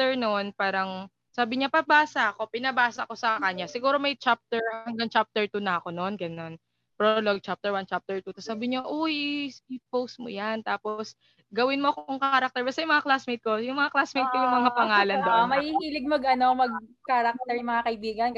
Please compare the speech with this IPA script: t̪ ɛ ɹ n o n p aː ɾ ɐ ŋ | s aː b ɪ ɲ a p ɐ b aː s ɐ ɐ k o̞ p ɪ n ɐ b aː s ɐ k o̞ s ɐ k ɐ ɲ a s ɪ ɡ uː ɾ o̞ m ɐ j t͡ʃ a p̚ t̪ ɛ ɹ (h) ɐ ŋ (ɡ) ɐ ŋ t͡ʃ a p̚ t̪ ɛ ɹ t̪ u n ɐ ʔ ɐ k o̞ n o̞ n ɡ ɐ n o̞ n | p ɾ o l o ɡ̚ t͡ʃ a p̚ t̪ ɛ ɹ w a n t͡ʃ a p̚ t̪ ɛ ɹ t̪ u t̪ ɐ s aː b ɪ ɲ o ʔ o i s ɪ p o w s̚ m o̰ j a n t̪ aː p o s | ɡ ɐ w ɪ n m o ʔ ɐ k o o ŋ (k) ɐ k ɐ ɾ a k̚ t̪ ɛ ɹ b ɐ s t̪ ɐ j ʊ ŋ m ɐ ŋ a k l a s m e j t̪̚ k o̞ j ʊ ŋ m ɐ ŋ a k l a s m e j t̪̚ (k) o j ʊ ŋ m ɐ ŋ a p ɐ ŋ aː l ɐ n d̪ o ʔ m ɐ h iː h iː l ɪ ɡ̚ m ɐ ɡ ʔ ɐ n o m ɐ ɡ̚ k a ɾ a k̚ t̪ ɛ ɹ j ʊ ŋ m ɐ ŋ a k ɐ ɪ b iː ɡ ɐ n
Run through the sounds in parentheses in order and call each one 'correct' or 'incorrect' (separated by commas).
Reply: correct, correct, correct, correct